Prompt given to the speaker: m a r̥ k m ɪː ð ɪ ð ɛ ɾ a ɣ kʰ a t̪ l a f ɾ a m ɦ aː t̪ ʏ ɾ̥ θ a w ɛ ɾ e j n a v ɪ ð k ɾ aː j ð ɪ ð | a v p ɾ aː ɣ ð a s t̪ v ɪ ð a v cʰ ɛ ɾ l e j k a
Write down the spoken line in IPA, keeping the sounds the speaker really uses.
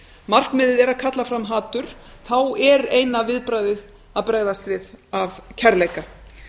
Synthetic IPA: m a r̥ k m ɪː ð ɪ ð ɛ ɾ a ð kʰ a t̪ l a f ɾ a m ɦ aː t̪ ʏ ɾ̥ θ a w ɛ ɾ e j n a v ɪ ð p ɾ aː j ð ɪ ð | a ð p ɾ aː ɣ ð a s t̪ v ɪ ð a v cʰ ɛ ɾ l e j k a